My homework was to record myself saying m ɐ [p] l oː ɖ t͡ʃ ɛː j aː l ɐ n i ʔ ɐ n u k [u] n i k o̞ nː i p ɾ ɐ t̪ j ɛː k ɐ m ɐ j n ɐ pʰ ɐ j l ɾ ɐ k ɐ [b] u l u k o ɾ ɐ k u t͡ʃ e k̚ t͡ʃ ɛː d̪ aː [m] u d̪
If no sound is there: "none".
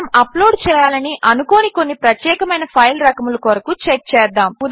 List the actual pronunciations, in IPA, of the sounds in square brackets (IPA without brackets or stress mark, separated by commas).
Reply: p, o, m, m